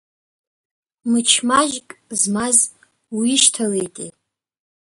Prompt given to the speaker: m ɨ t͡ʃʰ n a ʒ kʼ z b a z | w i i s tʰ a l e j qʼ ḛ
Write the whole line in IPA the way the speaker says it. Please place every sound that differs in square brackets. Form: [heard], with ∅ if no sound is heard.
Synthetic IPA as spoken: m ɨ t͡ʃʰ [m] a ʒ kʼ z [m] a z | w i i [ʃ] tʰ a l e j [tʼ] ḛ